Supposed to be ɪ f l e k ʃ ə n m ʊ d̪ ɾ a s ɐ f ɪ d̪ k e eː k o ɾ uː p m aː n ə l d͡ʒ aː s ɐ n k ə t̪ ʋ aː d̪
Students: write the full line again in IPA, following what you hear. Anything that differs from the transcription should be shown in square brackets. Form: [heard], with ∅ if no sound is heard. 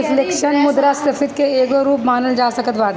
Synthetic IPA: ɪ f l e k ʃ ə n m ʊ d̪ ɾ a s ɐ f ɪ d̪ k e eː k o ɾ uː p m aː n ə l d͡ʒ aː s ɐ [∅] k ə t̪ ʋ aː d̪